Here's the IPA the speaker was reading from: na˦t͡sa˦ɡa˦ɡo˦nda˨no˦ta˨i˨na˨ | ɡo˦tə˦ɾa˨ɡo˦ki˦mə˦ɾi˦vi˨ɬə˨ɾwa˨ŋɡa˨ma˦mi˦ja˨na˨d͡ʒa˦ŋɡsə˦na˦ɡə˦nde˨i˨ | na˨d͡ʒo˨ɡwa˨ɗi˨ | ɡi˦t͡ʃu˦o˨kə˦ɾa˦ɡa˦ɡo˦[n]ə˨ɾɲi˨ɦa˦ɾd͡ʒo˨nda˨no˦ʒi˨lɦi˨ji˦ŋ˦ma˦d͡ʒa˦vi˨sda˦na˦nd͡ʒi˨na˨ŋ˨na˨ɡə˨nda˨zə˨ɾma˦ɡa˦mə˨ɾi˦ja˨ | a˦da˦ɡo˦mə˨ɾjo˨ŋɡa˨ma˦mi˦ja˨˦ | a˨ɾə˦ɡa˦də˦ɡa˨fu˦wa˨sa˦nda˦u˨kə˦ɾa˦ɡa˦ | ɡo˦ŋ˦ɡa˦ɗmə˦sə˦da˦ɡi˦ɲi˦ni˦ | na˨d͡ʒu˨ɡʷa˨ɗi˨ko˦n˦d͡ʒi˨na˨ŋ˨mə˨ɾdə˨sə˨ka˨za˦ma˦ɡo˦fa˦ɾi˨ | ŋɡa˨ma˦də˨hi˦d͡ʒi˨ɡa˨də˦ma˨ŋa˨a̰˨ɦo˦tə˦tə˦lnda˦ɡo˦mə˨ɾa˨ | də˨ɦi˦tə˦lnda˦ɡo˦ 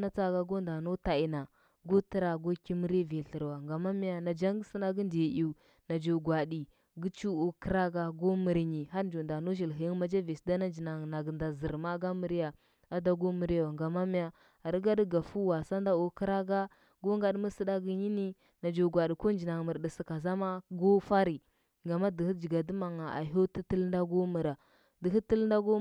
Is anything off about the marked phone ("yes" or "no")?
yes